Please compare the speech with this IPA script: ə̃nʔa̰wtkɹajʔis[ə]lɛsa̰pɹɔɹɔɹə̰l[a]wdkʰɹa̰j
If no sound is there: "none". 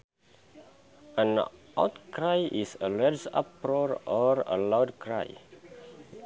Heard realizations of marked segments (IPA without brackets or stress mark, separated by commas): ə, a